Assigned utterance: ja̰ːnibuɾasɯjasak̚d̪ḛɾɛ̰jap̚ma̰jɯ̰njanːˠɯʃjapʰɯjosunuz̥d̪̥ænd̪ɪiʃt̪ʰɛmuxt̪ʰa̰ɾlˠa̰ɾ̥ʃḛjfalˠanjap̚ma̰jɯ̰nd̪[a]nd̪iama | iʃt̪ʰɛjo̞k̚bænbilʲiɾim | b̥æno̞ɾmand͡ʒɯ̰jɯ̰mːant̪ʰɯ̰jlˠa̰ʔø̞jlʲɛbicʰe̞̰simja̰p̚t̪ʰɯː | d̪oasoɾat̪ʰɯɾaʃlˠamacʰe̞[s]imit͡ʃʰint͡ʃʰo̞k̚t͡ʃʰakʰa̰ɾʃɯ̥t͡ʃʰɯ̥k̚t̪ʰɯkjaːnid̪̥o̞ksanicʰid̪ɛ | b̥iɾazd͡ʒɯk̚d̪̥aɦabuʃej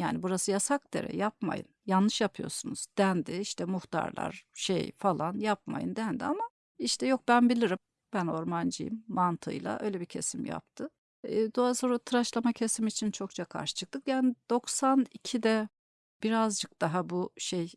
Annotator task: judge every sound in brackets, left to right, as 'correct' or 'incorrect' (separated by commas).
incorrect, correct